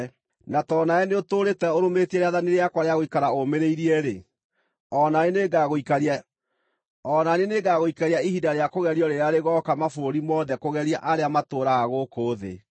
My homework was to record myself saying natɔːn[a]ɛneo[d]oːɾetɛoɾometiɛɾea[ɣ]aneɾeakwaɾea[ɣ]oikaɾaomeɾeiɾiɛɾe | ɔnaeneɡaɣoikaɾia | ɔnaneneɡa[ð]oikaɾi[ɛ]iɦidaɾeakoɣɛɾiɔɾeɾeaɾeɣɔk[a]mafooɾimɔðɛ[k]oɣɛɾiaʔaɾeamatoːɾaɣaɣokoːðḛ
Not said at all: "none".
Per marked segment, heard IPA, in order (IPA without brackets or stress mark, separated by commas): a, t, ð, ɣ, ɣ, a, a, k